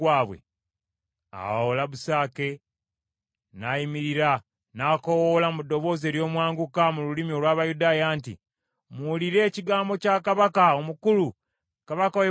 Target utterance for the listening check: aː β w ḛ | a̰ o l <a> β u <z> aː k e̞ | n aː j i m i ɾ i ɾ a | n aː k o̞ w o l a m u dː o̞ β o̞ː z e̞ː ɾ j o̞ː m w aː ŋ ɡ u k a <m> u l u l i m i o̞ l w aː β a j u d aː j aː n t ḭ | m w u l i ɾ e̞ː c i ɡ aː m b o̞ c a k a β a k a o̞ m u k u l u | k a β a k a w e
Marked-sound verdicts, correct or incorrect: correct, incorrect: s, correct

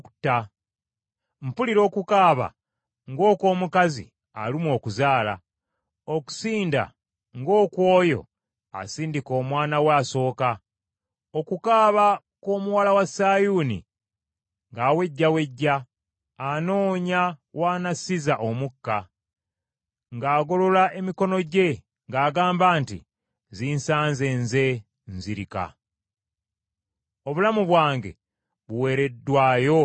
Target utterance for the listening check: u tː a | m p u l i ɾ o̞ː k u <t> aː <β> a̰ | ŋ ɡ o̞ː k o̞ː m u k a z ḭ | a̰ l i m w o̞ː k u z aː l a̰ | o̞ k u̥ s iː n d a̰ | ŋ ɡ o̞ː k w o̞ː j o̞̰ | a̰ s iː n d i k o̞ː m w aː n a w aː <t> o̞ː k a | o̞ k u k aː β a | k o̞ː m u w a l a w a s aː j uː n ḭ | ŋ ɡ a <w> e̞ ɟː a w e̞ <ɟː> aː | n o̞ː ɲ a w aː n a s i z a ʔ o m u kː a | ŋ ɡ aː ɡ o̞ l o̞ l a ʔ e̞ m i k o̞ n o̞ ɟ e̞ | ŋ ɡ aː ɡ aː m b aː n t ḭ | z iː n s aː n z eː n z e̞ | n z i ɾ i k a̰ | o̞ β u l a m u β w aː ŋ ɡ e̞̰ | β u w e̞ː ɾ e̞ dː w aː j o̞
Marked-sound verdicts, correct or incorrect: incorrect: k, correct, incorrect: s, correct, correct

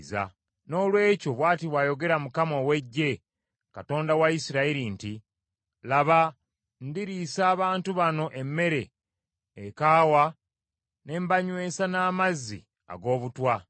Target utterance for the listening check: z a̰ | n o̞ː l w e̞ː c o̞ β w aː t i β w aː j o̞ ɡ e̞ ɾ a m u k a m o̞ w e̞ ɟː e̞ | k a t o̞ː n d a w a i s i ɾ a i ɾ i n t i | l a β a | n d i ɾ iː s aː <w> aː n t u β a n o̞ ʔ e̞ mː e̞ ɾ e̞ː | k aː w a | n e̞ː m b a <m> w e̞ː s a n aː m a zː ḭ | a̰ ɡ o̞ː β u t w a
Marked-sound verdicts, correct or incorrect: incorrect: β, incorrect: ɲ

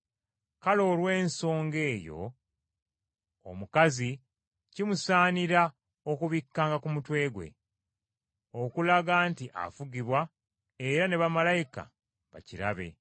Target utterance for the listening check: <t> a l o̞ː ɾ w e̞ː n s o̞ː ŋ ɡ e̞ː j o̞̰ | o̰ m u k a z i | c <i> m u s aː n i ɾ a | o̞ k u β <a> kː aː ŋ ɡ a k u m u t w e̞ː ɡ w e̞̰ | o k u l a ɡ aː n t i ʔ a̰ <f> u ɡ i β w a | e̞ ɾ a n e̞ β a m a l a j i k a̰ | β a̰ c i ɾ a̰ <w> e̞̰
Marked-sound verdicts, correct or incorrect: incorrect: k, correct, incorrect: i, correct, incorrect: β

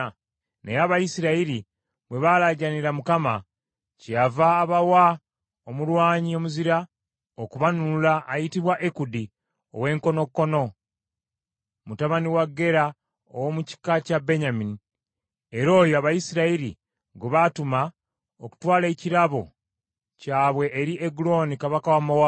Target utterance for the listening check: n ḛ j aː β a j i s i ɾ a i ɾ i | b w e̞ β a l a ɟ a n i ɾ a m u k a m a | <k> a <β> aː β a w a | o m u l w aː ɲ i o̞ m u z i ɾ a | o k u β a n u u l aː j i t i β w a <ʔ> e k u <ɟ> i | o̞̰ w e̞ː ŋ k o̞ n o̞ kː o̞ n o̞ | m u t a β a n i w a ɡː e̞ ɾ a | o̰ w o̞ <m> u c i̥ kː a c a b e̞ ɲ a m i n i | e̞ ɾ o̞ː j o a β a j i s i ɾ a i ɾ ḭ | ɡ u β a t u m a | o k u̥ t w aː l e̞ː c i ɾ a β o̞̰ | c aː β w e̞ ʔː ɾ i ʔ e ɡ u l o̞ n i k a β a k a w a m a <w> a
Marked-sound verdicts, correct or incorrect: incorrect: c, incorrect: v, correct, incorrect: d, correct, correct

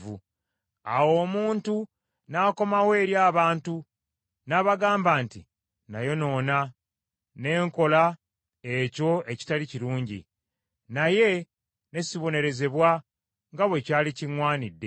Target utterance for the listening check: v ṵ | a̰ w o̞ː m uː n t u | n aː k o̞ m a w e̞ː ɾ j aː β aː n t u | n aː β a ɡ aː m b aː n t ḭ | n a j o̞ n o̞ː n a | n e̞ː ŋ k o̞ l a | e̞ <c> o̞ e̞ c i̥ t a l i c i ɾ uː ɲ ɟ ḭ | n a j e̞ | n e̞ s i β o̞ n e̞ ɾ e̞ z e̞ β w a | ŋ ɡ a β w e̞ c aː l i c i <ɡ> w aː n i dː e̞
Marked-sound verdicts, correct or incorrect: correct, incorrect: ŋ

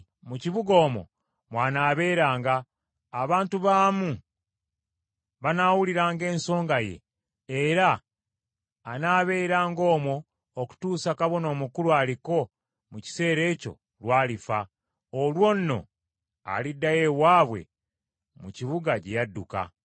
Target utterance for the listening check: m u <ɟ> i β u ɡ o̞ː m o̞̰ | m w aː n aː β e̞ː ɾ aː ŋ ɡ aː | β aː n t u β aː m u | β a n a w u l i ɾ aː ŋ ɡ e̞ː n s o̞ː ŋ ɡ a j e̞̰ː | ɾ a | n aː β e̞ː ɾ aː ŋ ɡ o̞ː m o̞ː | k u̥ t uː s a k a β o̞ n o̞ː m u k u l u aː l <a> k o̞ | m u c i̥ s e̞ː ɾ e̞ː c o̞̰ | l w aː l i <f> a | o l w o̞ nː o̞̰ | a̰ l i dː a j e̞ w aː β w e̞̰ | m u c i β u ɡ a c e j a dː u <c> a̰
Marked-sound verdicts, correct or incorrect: incorrect: c, incorrect: i, correct, incorrect: k

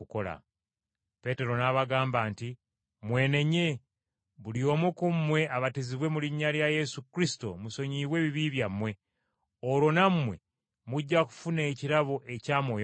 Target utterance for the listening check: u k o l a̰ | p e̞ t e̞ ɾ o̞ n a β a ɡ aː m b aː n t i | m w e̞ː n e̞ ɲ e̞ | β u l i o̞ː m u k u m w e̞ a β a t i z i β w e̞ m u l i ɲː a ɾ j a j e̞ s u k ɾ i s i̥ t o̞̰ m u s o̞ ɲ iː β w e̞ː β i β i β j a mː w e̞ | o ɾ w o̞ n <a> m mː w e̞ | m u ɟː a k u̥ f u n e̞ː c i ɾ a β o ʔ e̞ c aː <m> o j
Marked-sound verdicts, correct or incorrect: correct, correct

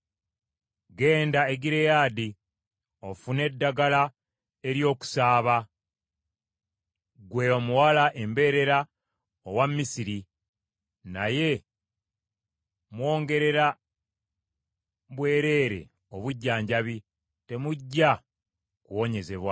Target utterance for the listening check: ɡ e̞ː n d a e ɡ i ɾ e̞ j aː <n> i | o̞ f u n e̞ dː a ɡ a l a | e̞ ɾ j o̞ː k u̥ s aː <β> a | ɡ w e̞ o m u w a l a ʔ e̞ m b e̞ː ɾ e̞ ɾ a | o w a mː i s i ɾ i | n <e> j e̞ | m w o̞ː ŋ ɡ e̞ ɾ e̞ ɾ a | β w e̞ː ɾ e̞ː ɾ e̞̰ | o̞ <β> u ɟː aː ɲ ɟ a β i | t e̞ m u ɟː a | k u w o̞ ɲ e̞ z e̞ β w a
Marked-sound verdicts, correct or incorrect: incorrect: d, correct, incorrect: a, correct

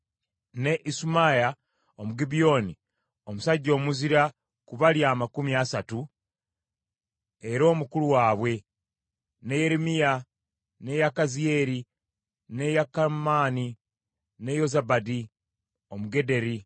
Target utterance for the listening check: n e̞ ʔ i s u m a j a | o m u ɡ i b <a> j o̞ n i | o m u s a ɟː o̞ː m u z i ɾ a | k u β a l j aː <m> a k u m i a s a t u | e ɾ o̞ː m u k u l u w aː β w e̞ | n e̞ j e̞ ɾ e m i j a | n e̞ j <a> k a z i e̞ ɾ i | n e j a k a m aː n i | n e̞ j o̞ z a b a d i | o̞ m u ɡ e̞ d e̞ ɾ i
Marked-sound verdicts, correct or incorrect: incorrect: i, correct, correct

